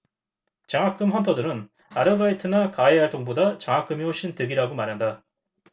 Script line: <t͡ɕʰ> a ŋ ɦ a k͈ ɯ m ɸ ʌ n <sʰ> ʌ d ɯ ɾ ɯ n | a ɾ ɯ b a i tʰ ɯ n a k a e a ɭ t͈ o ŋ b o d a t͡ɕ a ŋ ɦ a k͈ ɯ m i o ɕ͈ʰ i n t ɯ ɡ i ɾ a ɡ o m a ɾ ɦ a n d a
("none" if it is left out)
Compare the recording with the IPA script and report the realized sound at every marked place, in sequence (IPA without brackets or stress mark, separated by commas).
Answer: t͡ɕ, tʰ